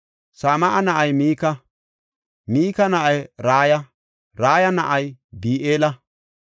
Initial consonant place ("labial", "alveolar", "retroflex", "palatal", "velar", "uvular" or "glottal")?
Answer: alveolar